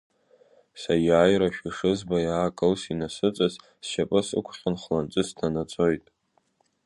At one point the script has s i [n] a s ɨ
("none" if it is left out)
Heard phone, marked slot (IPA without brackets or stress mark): n